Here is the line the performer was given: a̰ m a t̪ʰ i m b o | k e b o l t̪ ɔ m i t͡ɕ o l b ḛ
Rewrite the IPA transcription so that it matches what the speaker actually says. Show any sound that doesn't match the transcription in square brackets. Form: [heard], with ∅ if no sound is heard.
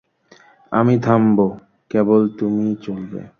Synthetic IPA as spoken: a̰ m [i] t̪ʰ [a] m b o | k e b o l t̪ [u] m i t͡ɕ o l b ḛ